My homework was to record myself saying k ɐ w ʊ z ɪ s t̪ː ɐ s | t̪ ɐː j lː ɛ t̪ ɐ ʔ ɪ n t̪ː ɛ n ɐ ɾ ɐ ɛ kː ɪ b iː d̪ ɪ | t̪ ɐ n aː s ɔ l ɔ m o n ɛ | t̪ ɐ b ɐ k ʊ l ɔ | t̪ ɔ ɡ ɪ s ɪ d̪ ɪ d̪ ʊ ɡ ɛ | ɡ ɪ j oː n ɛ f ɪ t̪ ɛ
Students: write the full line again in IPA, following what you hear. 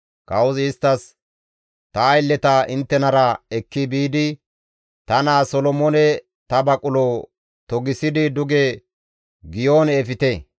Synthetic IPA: k ɐ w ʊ z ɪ s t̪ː ɐ s | t̪ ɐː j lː ɛ t̪ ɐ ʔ ɪ n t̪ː ɛ n ɐ ɾ ɐ ɛ kː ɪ b iː d̪ ɪ | t̪ ɐ n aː s ɔ l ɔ m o n ɛ | t̪ ɐ b ɐ kʼ ʊ l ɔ | t̪ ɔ ɡ ɪ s ɪ d̪ ɪ d̪ ʊ ɡ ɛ | ɡ ɪ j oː n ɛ f ɪ t̪ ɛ

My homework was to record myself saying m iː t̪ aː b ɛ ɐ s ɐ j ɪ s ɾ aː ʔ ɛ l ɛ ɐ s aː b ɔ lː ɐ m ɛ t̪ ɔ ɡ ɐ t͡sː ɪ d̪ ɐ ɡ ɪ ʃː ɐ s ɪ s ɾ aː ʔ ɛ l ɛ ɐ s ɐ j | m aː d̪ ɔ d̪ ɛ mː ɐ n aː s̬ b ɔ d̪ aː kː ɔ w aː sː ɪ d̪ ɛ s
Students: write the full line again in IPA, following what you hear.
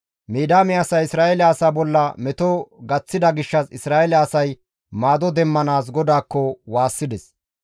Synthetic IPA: m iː d̪ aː m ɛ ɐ s ɐ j ɪ s ɾ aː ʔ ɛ l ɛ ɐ s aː b ɔ lː ɐ m ɛ t̪ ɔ ɡ ɐ t͡sː ɪ d̪ ɐ ɡ ɪ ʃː ɐ s ɪ s ɾ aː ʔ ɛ l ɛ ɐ s ɐ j | m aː d̪ ɔ d̪ ɛ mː ɐ n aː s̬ ɡ ɔ d̪ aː kː ɔ w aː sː ɪ d̪ ɛ s

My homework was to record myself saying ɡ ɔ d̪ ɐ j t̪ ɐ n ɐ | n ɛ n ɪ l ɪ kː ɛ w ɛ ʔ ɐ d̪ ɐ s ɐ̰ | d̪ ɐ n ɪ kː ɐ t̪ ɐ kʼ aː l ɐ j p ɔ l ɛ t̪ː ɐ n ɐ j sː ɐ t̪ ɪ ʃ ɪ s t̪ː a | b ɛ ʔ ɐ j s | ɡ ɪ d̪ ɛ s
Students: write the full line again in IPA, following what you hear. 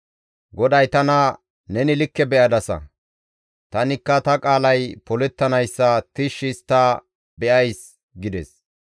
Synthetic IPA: ɡ ɔ d̪ ɐ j t̪ ɐ n ɐ | n ɛ n ɪ l ɪ kː ɛ b ɛ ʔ ɐ d̪ ɐ s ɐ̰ | t̪ ɐ n ɪ kː ɐ t̪ ɐ kʼ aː l ɐ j p ɔ l ɛ t̪ː ɐ n ɐ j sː ɐ t̪ ɪ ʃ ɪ s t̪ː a | b ɛ ʔ ɐ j s | ɡ ɪ d̪ ɛ s

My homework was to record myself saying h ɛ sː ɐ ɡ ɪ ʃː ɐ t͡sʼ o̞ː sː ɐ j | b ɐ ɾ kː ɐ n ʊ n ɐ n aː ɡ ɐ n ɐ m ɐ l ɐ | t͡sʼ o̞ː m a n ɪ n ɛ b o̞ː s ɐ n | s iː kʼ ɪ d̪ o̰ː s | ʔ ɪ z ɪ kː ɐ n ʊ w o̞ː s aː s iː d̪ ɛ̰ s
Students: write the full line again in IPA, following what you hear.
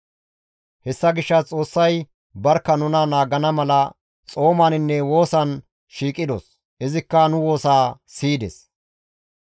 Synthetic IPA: h ɛ sː ɐ ɡ ɪ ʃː ɐ t͡sʼ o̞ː sː ɐ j | b ɐ ɾ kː ɐ n ʊ n ɐ n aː ɡ ɐ n ɐ m ɐ l ɐ | t͡sʼ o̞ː m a n ɪ nː ɛ w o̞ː s ɐ n | ʃ iː kʼ ɪ d̪ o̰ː s | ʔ ɪ z ɪ kː ɐ n ʊ w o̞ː s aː s iː d̪ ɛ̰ s

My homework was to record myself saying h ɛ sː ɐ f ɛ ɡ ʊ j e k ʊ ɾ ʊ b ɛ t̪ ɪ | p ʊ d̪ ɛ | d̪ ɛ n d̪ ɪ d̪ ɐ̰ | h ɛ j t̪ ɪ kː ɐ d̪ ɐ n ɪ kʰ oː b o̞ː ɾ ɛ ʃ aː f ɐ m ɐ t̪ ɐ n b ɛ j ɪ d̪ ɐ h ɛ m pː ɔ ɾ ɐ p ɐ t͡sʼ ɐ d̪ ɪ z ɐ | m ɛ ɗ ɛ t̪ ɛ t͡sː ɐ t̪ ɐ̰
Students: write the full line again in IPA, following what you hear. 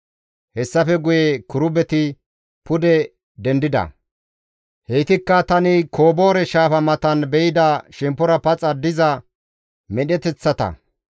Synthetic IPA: h ɛ sː ɐ f ɛ ɡ ʊ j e k ʊ ɾ ʊ b ɛ t̪ ɪ | p ʊ d̪ ɛ | d̪ ɛ n d̪ ɪ d̪ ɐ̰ | h ɛ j t̪ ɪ kː ɐ t̪ ɐ n ɪ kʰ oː b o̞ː ɾ ɛ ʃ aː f ɐ m ɐ t̪ ɐ n b ɛ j ɪ d̪ ɐ ʃ ɛ m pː ɔ ɾ ɐ p ɐ t͡sʼ ɐ d̪ ɪ z ɐ | m ɛ ɗ ɛ t̪ ɛ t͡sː ɐ t̪ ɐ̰

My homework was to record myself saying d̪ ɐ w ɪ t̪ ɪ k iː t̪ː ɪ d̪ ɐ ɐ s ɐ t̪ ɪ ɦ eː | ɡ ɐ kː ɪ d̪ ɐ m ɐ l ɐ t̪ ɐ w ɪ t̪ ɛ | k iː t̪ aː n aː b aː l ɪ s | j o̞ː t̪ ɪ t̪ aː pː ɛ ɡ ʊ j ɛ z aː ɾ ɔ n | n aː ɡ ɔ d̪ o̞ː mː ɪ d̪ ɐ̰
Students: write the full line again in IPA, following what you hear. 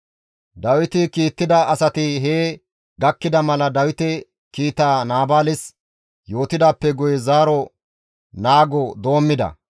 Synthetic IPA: d̪ ɐ w ɪ t̪ ɪ k iː t̪ː ɪ d̪ ɐ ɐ s ɐ t̪ ɪ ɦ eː | ɡ ɐ kː ɪ d̪ ɐ m ɐ l ɐ d̪ ɐ w ɪ t̪ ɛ | k iː t̪ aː n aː b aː l ɪ s | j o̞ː t̪ ɪ d̪ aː pː ɛ ɡ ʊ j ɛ z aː ɾ ɔ | n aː ɡ ɔ d̪ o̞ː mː ɪ d̪ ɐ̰

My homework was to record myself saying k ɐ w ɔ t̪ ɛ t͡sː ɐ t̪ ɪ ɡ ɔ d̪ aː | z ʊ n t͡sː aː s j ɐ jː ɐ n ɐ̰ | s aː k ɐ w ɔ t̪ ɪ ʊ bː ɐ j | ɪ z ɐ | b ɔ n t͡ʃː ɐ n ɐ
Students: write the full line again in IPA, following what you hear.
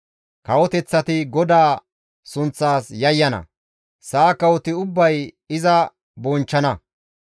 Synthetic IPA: k ɐ w ɔ t̪ ɛ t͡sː ɐ t̪ ɪ ɡ ɔ d̪ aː | s ʊ n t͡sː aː s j ɐ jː ɐ n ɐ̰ | s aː k ɐ w ɔ t̪ ɪ ʊ bː ɐ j | ɪ z ɐ | b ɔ n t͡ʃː ɐ n ɐ

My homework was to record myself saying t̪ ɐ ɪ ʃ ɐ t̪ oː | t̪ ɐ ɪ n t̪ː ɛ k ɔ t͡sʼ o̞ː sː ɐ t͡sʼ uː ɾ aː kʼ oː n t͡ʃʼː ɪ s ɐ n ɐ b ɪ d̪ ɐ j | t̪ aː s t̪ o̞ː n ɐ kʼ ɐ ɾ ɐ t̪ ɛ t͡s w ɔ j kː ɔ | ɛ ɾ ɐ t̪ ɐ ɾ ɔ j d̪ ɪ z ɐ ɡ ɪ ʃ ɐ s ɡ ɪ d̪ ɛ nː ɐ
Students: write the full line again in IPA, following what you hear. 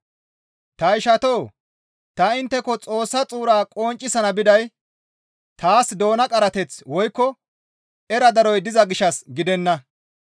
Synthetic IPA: t̪ ɐ ɪ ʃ ɐ t̪ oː | t̪ ɐ ɪ n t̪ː ɛ k ɔ t͡sʼ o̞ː sː ɐ t͡sʼ uː ɾ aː kʼ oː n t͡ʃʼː ɪ s ɐ n ɐ b ɪ d̪ ɐ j | t̪ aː s d̪ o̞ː n ɐ kʼ ɐ ɾ ɐ t̪ ɛ t͡s w ɔ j kː ɔ | ɛ ɾ ɐ d̪ ɐ ɾ ɔ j d̪ ɪ z ɐ ɡ ɪ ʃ ɐ s ɡ ɪ d̪ ɛ nː ɐ

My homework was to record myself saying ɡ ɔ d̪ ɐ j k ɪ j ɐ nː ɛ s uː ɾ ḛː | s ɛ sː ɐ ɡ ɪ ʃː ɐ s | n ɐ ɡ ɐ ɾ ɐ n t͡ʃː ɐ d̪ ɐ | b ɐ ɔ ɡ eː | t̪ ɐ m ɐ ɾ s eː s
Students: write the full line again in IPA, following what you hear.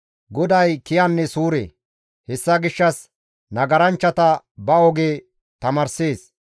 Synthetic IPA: ɡ ɔ d̪ ɐ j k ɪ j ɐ nː ɛ s uː ɾ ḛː | h ɛ sː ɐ ɡ ɪ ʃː ɐ s | n ɐ ɡ ɐ ɾ ɐ n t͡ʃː ɐ t̪ ɐ | b ɐ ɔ ɡ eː | t̪ ɐ m ɐ ɾ s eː s

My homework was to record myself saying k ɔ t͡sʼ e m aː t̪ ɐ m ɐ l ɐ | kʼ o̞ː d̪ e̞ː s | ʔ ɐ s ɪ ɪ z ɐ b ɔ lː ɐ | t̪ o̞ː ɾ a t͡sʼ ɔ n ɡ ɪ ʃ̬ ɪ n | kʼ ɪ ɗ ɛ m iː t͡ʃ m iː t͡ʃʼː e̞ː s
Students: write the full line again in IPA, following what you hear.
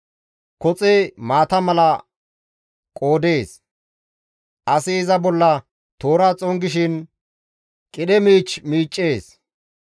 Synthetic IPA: k ɔ t͡sʼ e m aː t̪ ɐ m ɐ l ɐ | kʼ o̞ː d̪ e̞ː s | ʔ ɐ s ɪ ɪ z ɐ b ɔ lː ɐ | t̪ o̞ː ɾ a t͡sʼ ɔ ŋ ɡ ɪ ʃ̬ ɪ n | kʼ ɪ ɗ ɛ m iː t͡ʃ m iː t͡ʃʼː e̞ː s

